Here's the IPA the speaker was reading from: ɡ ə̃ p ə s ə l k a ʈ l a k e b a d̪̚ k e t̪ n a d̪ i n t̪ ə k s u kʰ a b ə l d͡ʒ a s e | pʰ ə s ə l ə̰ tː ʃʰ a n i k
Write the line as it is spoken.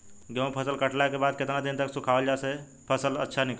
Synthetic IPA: ɡ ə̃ pʰ ə s ə l k ə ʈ l a k e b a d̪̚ k e t̪ n a d̪ i n t̪ ə k s u kʰ a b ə l d͡ʒ a s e | pʰ ə s ə l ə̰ tː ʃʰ a n i k